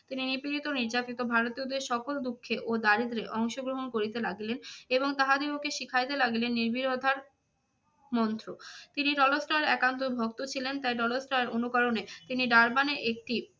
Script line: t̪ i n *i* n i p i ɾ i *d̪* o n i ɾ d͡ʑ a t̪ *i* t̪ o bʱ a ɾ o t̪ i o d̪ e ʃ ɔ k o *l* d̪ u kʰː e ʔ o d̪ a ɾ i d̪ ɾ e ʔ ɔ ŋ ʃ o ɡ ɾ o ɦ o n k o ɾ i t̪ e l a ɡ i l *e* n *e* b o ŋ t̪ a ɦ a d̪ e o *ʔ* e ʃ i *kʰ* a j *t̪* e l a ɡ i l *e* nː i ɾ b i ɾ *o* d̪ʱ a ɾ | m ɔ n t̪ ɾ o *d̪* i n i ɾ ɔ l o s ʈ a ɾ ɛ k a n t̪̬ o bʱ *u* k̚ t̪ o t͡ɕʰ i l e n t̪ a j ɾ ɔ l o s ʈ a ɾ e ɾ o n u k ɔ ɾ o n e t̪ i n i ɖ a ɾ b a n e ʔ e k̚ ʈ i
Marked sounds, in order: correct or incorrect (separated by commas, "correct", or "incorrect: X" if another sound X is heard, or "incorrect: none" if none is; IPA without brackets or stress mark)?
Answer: correct, incorrect: t̪, correct, correct, correct, correct, incorrect: k, correct, correct, correct, correct, incorrect: t̪, incorrect: o